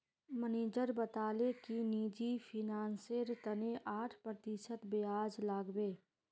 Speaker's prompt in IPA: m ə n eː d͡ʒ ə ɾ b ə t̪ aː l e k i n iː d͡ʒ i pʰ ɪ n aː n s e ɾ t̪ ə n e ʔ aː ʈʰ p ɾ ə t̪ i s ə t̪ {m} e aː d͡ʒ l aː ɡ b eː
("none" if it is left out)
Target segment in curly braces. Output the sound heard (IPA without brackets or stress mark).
b